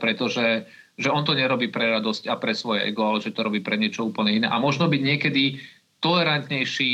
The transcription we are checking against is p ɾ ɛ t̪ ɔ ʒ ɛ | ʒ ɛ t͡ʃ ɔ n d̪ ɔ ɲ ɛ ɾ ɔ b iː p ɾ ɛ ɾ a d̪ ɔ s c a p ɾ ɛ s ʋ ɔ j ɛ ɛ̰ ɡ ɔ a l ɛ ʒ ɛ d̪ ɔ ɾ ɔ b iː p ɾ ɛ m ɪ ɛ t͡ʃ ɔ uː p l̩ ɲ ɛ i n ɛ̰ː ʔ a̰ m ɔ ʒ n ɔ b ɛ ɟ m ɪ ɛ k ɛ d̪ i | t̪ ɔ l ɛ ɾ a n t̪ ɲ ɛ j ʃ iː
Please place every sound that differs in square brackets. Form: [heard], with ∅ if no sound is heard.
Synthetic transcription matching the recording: p ɾ ɛ t̪ ɔ ʒ ɛ | ʒ ɛ [∅] ɔ n [t̪] ɔ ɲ ɛ ɾ ɔ b iː p ɾ ɛ ɾ a d̪ ɔ s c a p ɾ ɛ s ʋ ɔ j ɛ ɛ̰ ɡ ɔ a l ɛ ʒ ɛ [t̪] ɔ ɾ ɔ b iː p ɾ ɛ [ɲ] ɪ ɛ t͡ʃ ɔ uː p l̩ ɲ ɛ i n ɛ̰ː ʔ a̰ m ɔ ʒ n ɔ b [i] ɟ [ɲ] ɪ ɛ k ɛ d̪ i | t̪ ɔ l ɛ ɾ a n t̪ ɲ ɛ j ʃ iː